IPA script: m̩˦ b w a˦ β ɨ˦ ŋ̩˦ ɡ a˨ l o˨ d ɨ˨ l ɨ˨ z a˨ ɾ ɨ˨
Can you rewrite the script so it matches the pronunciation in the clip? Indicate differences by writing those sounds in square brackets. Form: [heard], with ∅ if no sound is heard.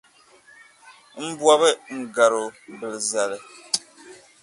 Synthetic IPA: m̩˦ b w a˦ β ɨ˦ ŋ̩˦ ɡ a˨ [ɾ] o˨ [b] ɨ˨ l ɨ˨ z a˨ [l] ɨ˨